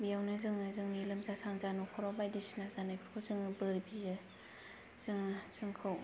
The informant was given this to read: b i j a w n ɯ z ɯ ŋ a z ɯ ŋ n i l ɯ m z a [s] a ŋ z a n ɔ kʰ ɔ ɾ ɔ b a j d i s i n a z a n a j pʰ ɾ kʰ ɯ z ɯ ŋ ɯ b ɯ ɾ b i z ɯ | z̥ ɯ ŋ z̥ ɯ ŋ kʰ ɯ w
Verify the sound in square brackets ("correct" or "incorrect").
correct